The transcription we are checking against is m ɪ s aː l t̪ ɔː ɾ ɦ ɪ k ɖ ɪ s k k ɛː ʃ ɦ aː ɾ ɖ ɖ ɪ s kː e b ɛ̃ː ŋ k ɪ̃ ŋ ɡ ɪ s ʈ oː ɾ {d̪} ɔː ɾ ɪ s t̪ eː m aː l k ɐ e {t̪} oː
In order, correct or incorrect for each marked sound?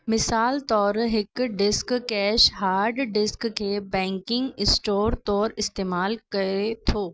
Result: incorrect, incorrect

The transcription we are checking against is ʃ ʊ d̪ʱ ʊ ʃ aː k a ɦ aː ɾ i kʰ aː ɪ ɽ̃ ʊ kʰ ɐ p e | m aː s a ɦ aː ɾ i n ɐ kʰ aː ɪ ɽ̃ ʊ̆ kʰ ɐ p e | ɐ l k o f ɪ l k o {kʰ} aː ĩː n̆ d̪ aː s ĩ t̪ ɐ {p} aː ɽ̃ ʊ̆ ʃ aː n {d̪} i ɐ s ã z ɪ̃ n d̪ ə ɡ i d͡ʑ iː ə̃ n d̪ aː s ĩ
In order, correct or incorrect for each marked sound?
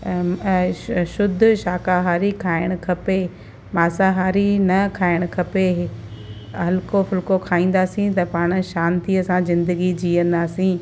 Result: correct, correct, incorrect

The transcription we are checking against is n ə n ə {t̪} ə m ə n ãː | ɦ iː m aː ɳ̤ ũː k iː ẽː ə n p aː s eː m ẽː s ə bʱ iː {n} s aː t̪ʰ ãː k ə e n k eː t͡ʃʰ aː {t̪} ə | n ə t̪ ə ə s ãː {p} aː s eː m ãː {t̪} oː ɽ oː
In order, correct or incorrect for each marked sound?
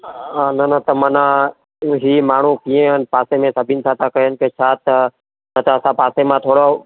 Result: correct, correct, correct, correct, incorrect

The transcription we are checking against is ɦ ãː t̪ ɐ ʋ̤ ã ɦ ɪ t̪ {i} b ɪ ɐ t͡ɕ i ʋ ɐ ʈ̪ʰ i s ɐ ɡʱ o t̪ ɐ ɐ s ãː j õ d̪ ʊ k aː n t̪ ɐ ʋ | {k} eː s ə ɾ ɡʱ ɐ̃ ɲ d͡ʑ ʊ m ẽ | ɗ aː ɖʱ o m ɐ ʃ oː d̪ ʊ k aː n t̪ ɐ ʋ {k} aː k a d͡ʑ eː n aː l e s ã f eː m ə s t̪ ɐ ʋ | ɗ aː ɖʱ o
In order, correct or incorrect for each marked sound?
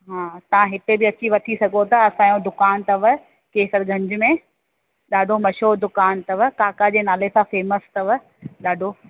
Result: incorrect, correct, correct

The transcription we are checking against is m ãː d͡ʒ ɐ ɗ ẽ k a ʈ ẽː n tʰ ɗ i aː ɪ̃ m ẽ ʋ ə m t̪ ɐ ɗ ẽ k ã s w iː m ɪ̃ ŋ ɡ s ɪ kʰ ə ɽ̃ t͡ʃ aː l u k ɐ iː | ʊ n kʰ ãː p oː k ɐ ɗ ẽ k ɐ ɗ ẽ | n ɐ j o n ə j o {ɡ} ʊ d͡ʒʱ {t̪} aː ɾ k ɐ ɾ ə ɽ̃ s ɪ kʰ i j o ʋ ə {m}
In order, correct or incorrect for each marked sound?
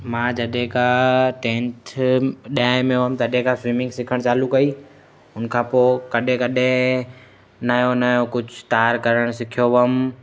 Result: incorrect, correct, correct

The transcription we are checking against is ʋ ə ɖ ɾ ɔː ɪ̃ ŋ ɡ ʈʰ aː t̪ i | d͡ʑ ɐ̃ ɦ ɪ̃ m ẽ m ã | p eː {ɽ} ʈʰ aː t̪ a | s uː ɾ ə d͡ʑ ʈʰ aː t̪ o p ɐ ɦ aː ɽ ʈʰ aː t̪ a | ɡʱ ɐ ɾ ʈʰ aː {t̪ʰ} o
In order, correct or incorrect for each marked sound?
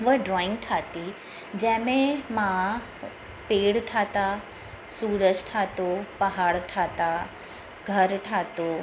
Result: correct, incorrect

